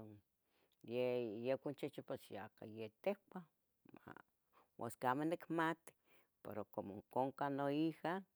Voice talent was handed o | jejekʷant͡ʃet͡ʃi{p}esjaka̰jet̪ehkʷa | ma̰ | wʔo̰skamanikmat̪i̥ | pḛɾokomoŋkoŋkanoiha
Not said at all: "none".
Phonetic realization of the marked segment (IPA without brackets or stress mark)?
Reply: p